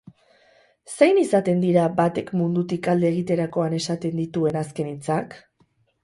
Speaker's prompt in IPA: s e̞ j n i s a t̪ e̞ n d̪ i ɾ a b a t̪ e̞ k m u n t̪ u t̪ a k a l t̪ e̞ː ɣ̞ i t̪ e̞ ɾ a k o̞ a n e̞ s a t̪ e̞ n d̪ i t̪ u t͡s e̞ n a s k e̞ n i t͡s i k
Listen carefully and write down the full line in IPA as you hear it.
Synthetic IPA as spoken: s e̞ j n i s a t̪ e̞ n d̪ i ɾ a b a t̪ e̞ k m u n d̪ u t̪ i k a l d̪ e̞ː ɣ̞ i t̪ e̞ ɾ a k o̞ a n e̞ s a t̪ e̞ n d̪ i t̪ u e̞ n a s k e̞ n i t͡s a k